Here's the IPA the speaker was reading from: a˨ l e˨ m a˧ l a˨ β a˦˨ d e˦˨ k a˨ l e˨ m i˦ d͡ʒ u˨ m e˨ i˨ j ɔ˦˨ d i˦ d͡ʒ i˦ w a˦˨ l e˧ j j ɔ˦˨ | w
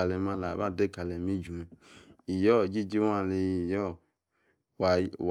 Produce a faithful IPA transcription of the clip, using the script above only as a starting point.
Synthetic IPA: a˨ l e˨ m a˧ l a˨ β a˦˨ d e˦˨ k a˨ l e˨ m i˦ d͡ʒ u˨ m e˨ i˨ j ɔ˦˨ d͡ʒ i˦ d͡ʒ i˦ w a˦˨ l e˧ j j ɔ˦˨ | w